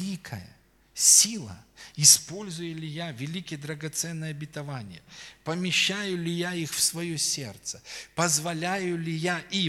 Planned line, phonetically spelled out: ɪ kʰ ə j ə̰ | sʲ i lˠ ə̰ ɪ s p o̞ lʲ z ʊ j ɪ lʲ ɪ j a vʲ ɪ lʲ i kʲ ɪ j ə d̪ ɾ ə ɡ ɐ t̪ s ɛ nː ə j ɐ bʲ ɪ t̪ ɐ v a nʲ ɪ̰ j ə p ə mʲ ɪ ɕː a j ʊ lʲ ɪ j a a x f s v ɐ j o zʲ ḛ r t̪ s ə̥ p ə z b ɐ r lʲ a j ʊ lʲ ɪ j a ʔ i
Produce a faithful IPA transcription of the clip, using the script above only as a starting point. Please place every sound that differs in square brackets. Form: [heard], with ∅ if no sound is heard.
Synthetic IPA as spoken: [i] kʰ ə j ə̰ | sʲ i lˠ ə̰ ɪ s p o̞ lʲ z ʊ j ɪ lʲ ɪ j a vʲ ɪ lʲ i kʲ ɪ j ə d̪ ɾ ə ɡ ɐ t̪ s ɛ nː ə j ɐ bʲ ɪ t̪ ɐ v a nʲ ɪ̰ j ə p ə mʲ ɪ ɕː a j ʊ lʲ ɪ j a [i] x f s v ɐ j o [sʲ] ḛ r t̪ s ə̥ p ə z [v] ɐ [∅] lʲ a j ʊ lʲ ɪ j a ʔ i